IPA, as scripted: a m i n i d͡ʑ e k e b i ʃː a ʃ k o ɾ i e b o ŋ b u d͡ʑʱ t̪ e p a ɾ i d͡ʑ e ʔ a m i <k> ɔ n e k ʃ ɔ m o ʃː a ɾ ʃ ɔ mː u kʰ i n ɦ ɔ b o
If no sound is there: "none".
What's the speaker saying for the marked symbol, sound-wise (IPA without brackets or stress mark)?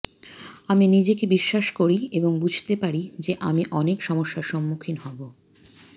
ʔ